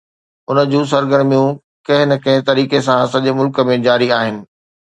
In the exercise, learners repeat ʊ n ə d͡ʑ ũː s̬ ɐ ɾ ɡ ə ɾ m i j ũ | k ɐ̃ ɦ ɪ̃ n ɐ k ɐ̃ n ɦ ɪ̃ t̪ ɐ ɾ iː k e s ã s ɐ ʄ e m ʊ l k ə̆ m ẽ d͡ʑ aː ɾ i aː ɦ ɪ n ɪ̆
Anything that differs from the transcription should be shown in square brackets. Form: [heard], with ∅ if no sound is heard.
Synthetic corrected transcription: ʊ n ə d͡ʑ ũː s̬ ɐ ɾ ɡ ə ɾ m i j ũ | k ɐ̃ ɦ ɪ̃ n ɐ k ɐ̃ [∅] ɦ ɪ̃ t̪ ɐ ɾ iː k e s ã s ɐ ʄ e m ʊ l k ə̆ m ẽ d͡ʑ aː ɾ i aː ɦ ɪ n ɪ̆

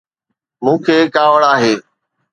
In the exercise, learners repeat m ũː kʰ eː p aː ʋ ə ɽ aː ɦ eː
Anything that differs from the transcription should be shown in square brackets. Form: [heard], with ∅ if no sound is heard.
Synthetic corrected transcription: m ũː kʰ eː [k] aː ʋ ə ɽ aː ɦ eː

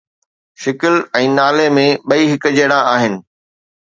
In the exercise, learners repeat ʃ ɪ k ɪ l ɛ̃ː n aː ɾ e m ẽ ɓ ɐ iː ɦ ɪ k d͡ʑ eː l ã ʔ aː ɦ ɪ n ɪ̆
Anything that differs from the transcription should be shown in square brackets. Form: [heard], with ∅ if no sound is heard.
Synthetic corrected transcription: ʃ ɪ k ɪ l ɛ̃ː n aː [l] e m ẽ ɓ ɐ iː ɦ ɪ k d͡ʑ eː [ɽ] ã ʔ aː ɦ ɪ n ɪ̆

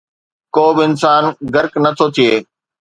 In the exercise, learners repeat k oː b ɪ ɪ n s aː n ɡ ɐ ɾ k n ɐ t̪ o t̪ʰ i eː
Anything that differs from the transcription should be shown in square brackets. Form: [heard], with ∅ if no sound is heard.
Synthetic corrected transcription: k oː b ɪ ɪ n s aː n ɡ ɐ ɾ k n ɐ [t̪ʰ] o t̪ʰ i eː

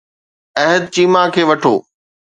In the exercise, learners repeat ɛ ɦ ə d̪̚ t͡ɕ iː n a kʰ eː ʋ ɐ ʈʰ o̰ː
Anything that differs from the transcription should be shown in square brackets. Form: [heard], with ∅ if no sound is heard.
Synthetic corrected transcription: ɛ ɦ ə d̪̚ t͡ɕ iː [m] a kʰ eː ʋ ɐ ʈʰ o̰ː

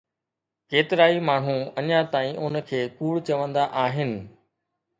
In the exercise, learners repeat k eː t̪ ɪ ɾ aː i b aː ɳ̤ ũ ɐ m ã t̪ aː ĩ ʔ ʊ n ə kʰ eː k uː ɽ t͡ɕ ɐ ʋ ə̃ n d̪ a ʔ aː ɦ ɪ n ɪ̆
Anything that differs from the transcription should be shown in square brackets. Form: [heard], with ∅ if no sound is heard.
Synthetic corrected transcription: k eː t̪ ɪ ɾ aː i [m] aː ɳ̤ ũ ɐ [ɲ] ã t̪ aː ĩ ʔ ʊ n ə kʰ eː k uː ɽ t͡ɕ ɐ ʋ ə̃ n d̪ a ʔ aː ɦ ɪ n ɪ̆

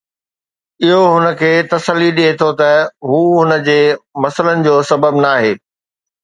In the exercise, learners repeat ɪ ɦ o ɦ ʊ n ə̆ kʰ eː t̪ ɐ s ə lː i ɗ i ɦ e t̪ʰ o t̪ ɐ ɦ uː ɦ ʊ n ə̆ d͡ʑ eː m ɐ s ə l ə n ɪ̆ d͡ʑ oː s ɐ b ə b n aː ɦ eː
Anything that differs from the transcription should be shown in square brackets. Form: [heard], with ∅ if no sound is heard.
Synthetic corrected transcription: ɪ ɦ o ɦ ʊ n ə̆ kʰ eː t̪ ɐ s ə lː i ɗ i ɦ e t̪ʰ o t̪ ɐ ɦ uː ɦ ʊ n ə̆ d͡ʑ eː m ɐ s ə l ə n ɪ̆ d͡ʑ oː s ɐ b ə b n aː ɦ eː

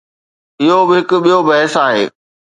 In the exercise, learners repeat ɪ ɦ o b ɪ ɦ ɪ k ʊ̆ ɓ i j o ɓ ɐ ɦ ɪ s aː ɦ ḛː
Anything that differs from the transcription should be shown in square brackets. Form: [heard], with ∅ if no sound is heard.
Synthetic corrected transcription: ɪ ɦ o b ɪ ɦ ɪ k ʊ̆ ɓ i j o [b] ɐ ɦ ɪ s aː ɦ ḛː

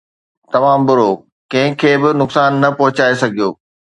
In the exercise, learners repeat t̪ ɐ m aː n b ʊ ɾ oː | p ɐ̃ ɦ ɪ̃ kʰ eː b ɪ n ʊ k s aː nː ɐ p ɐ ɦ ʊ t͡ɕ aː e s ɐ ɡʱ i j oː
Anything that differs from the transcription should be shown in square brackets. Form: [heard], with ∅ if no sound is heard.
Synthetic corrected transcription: t̪ ɐ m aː [m] b ʊ ɾ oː | [k] ɐ̃ ɦ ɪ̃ kʰ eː b ɪ n ʊ k s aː nː ɐ p ɐ ɦ ʊ t͡ɕ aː e s ɐ ɡʱ i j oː

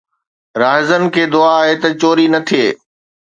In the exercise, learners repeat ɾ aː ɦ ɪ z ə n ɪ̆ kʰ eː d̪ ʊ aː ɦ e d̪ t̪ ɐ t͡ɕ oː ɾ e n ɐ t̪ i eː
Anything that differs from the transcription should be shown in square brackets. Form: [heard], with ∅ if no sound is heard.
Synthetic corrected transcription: ɾ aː ɦ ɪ z ə n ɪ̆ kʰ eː d̪ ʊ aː ɦ e [∅] t̪ ɐ t͡ɕ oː ɾ [i] n ɐ [t̪ʰ] i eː

